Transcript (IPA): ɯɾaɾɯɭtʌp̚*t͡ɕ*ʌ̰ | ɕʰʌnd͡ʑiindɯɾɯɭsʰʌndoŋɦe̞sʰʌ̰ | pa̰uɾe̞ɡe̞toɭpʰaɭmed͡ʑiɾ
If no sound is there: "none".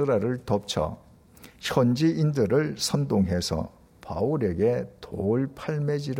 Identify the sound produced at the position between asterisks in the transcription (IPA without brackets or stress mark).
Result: t͡ɕʰ